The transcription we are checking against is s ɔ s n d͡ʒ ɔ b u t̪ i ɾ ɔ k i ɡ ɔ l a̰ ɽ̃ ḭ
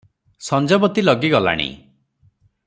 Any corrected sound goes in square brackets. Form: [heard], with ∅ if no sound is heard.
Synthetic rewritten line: s ɔ [∅] n d͡ʒ ɔ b [ɔ] t̪ i [l] ɔ [ɡ] i ɡ ɔ l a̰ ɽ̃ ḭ